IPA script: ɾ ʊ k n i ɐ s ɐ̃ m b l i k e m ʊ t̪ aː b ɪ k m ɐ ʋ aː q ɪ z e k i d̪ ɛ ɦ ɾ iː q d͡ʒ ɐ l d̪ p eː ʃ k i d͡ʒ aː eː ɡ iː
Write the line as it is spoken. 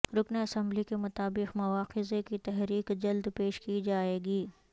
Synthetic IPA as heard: ɾ ʊ k n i ɐ s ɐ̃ m b l i k e m ʊ t̪ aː b ɪ q m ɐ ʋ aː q ɪ z e k i t̪ ɛ ɦ ɾ iː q d͡ʒ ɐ l d̪ p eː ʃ k i d͡ʒ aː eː ɡ iː

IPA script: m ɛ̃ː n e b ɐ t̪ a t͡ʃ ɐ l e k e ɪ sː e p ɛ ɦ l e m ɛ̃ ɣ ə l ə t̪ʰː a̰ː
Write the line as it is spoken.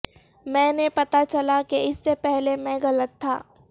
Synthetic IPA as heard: m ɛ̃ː n e p ɐ t̪ a t͡ʃ ɐ l a k e ɪ sː e p ɛ ɦ l e m ɛ̃ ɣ ɐ l ə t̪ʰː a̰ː

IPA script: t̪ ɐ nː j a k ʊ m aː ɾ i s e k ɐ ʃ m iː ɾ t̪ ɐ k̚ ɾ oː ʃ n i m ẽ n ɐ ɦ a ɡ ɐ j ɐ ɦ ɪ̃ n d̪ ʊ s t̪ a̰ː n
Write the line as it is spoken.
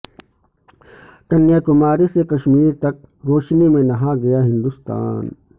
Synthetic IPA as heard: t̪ ɐ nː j a k ʊ m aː ɾ i s e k ɐ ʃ m iː ɾ t̪ ɐ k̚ ɾ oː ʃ n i m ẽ n ɐ ɦ a ɡ ɐ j a ɦ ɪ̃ n d̪ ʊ s t̪ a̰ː n

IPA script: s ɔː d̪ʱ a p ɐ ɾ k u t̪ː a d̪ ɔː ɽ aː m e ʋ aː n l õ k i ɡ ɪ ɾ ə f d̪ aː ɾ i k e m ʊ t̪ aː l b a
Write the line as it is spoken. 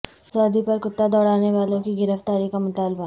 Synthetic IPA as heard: s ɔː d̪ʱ i p ɐ ɾ k ʊ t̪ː a d̪ ɔː ɽ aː n e ʋ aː l õ k i ɡ ɪ ɾ ə f t̪ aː ɾ i k a m ʊ t̪ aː l b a

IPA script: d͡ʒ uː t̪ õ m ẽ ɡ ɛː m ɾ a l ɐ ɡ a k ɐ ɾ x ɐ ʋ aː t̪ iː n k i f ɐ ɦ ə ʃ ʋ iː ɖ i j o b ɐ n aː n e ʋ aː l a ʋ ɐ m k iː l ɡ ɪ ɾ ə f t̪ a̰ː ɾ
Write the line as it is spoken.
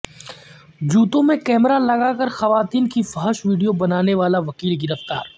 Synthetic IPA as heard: d͡ʒ uː t̪ õ m ẽ k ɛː m ɾ a l ɐ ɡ a k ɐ ɾ x ɐ ʋ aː t̪ iː n k i f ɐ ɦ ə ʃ ʋ iː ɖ i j o b ɐ n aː n e ʋ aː l a ʋ ɐ k iː l ɡ ɪ ɾ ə f t̪ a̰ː ɾ

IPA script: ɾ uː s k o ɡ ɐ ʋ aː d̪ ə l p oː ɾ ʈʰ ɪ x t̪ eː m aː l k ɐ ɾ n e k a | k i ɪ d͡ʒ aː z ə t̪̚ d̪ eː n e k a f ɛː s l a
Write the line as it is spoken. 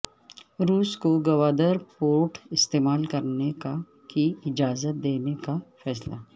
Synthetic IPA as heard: ɾ uː s k o ɡ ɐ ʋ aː d̪ ə ɾ p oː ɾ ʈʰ ɪ s t̪ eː m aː l k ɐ ɾ n e k a | k i ɪ d͡ʒ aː z ə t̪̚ d̪ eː n e k a f ɛː s l a

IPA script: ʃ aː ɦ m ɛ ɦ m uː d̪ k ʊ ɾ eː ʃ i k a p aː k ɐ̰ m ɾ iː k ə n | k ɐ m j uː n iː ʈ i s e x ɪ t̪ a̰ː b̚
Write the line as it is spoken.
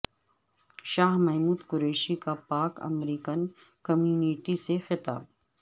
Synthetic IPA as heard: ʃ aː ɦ m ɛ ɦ m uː d̪ k ʊ ɾ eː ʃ i k a p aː k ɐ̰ m ɾ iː k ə n | k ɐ m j uː n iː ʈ i s e x ɪ t̪ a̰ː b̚

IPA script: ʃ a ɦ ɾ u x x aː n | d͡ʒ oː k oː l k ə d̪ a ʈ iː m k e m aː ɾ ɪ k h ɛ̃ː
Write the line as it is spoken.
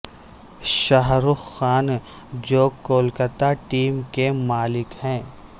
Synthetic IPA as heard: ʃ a ɦ ɾ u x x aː n | d͡ʒ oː k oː l k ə t̪ a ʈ iː m k e m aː l ɪ k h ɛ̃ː

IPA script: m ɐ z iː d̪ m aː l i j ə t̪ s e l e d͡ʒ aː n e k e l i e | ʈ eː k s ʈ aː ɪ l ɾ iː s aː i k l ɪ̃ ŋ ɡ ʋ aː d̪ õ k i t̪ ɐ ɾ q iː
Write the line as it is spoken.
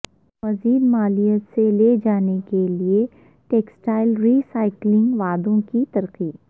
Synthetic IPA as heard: m ɐ z iː d̪ m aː l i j ə t̪ s e l e d͡ʒ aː n e k e l i e | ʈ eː k s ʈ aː ɪ l ɾ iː s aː ɪ k l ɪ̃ ŋ ɡ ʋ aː d̪ õ k i t̪ ɐ ɾ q iː

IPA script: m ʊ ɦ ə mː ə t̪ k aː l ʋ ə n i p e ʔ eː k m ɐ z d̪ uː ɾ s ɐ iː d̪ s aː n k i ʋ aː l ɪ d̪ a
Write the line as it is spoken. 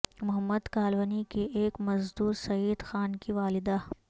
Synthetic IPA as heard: m ʊ ɦ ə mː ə d̪ k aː l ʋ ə n i k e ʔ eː k m ɐ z d̪ uː ɾ s ɐ iː d̪ x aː n k i ʋ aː l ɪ d̪ a

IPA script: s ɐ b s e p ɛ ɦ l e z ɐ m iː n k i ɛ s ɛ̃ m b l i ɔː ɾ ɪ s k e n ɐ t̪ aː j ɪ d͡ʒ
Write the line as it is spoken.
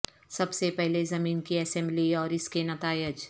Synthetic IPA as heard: s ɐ b s e p ɛ ɦ l e z ɐ m iː n k i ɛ s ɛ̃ m b l i ɔː ɾ ɪ s k e n ɐ t̪ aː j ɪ d͡ʒ

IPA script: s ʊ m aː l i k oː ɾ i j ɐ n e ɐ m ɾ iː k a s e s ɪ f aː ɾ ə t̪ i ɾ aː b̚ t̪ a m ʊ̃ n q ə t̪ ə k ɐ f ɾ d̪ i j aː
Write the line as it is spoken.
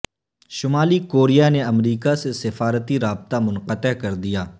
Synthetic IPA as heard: ʃ ʊ m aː l i k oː ɾ i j a n e ɐ m ɾ iː k a s e s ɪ f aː ɾ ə t̪ i ɾ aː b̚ t̪ a m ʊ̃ n q ə t̪ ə k ɐ ɾ d̪ i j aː

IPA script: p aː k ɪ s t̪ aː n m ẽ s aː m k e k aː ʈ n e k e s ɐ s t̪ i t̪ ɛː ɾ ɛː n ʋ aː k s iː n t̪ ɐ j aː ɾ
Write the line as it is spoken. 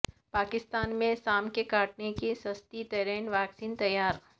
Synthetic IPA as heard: p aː k ɪ s t̪ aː n m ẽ s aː m k e k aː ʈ n e k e s ɐ s t̪ i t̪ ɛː ɾ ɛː n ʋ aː k s iː n t̪ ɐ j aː ɾ

